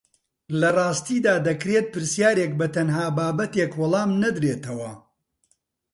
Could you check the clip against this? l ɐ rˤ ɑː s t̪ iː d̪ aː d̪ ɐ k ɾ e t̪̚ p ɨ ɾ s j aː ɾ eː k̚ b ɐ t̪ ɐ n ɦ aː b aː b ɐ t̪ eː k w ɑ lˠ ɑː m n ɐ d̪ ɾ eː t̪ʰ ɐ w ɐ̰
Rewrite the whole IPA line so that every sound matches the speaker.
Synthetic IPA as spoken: l ɐ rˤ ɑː s t̪ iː d̪ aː d̪ ɐ k ɾ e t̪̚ p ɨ ɾ s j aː ɾ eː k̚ b ɐ t̪ ɐ n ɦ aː b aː b ɐ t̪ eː k w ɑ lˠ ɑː m n ɐ d̪ ɾ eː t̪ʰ ɐ w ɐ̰